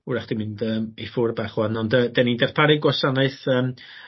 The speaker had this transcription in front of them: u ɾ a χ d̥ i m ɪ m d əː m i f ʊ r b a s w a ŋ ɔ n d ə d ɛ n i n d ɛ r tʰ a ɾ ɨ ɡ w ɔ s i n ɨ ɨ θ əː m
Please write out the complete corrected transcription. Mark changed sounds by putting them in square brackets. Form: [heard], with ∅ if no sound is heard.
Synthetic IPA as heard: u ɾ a χ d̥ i m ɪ [n] d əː m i f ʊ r b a [χ] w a [n] ɔ n d ə d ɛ n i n d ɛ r [pʰ] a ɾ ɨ ɡ w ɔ s [a] n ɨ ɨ θ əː m